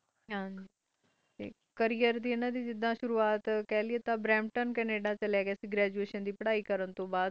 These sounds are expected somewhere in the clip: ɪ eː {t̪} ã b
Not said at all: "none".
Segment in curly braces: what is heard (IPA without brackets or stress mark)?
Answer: t̪